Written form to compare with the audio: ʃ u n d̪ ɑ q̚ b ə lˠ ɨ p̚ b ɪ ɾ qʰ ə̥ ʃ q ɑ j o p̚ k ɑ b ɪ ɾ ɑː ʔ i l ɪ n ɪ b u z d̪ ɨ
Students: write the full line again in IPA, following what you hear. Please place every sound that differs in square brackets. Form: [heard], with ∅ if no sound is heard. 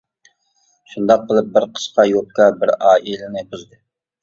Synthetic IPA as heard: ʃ u n d̪ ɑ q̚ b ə lˠ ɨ p̚ b ɪ ɾ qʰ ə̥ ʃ q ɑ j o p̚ k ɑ b ɪ ɾ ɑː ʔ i l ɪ n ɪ b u z d̪ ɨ